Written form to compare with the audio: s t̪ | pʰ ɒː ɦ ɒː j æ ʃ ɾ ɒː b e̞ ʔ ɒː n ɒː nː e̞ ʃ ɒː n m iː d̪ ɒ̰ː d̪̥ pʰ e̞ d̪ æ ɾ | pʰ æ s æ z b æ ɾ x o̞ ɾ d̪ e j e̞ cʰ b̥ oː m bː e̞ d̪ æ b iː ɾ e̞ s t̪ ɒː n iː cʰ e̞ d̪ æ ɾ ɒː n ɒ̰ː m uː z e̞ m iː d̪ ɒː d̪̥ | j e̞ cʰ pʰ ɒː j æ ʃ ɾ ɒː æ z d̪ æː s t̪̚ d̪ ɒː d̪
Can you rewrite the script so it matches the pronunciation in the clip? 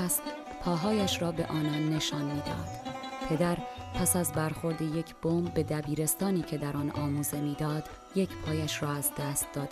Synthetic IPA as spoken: s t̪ | pʰ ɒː ɦ ɒː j æ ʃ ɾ ɒː b e̞ ʔ ɒː n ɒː nː e̞ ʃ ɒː n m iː d̪ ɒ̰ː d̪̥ pʰ e̞ d̪ æ ɾ | pʰ æ s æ z b æ ɾ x o̞ ɾ d̪ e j e̞ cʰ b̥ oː m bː e̞ d̪ æ b iː ɾ e̞ s t̪ ɒː n iː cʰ e̞ d̪ æ ɾ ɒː n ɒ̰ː m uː z e̞ m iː d̪ ɒː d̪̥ | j e̞ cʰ pʰ ɒː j æ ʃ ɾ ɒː æ z d̪ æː s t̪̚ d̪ ɒː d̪